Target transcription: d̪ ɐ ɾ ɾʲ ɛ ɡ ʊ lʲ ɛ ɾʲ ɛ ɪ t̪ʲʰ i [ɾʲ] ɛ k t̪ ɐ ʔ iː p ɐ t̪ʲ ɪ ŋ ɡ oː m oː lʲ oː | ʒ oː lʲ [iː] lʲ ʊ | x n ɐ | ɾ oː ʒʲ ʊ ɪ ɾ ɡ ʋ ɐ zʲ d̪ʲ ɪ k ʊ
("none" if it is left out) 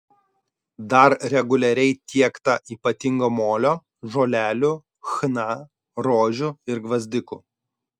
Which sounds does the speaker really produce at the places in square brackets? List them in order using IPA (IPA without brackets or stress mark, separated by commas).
none, æː